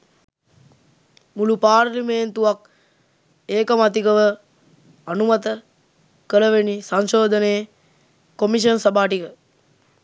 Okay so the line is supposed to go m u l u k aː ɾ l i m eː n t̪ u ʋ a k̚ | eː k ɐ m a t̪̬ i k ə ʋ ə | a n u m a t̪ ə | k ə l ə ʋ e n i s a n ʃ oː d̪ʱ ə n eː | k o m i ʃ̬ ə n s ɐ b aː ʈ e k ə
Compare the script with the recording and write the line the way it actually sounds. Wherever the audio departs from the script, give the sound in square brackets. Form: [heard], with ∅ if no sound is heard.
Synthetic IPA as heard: m u l u [p] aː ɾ l i m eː n t̪ u ʋ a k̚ | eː k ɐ m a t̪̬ i k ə ʋ ə | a n u m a t̪ ə | k ə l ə ʋ e n i s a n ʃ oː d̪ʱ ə n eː | k o m i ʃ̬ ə n s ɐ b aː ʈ [i] k ə